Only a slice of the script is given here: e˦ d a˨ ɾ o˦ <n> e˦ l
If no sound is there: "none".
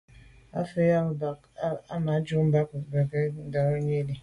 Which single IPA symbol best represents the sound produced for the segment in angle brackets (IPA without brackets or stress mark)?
ɲ